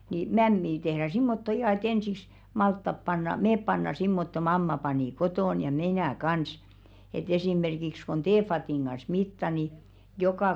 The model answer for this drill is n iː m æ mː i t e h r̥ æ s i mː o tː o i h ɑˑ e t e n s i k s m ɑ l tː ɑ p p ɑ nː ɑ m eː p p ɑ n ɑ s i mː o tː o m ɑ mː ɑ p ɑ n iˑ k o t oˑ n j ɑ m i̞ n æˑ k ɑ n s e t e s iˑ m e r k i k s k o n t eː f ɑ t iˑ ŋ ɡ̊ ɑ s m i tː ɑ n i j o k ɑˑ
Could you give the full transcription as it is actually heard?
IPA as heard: n iː m æ mː iː t e h r̥ æ s i mː o tː o i h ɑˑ e t e n s i k s m ɑ l tː ɑ p p ɑ nː ɑ m eː p p ɑ nː ɑ s i mː o tː o m ɑ mː ɑ p ɑ n iˑ k o t oˑ n j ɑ m i̞ n æˑ k ɑ n s e t e s iˑ m e r k i k s k o n t eː f ɑ t iˑ ŋ ɡ̊ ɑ s m i tː ɑ n i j o k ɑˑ